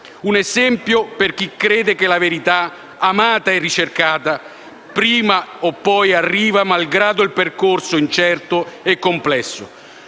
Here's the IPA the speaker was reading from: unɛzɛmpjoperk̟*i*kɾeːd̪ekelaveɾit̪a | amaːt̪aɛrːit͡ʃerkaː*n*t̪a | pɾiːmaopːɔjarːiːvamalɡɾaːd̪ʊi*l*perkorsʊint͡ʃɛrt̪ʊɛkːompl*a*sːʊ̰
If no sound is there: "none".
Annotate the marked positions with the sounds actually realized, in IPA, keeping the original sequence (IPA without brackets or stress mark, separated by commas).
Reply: i, none, l, ɛ